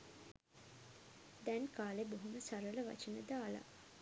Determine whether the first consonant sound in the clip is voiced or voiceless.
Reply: voiced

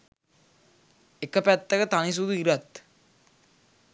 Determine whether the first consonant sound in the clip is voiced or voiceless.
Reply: voiceless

